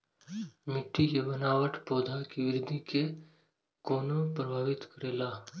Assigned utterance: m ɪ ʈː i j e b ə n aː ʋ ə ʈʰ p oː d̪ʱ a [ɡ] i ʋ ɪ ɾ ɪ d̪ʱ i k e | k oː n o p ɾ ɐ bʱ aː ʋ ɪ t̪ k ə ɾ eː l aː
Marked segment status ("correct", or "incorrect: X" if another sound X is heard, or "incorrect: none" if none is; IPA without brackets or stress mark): incorrect: k